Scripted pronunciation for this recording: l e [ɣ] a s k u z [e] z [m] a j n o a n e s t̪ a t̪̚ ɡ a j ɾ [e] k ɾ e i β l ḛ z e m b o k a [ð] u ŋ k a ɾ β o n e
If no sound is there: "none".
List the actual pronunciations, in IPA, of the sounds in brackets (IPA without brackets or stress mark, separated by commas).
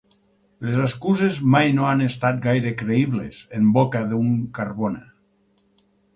z, e, m, e, ð